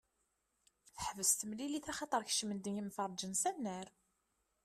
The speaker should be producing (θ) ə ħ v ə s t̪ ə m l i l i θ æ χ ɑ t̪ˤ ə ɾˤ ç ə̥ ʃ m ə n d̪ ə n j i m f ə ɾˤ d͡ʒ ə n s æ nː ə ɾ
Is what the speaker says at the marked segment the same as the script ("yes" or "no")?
yes